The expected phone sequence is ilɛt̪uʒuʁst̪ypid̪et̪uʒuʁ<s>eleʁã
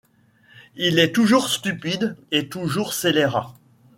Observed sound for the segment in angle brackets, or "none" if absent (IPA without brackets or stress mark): s